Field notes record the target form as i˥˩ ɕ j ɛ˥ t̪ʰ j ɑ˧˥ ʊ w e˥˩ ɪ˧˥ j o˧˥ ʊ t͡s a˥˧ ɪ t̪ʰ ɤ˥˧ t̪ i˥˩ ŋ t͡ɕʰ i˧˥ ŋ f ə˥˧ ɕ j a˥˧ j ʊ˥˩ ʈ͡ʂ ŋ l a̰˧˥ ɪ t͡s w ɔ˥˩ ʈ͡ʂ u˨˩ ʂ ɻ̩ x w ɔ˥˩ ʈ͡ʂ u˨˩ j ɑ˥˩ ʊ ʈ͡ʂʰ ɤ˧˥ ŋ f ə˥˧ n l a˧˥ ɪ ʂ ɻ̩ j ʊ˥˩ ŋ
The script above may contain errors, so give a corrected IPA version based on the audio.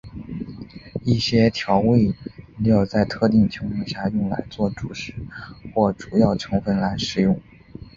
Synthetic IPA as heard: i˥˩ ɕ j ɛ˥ t̪ʰ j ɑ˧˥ ʊ w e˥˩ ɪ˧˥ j o˨˩ ʊ t͡s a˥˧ ɪ t̪ʰ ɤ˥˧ t̪ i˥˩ ŋ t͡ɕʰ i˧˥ ŋ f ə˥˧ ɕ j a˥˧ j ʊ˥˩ ŋ l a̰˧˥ ɪ t͡s w ɔ˥˩ ʈ͡ʂ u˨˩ ʂ ɻ̩ x w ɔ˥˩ ʈ͡ʂ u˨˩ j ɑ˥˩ ʊ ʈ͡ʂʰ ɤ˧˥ ŋ f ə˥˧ n l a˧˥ ɪ ʂ ɻ̩ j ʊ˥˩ ŋ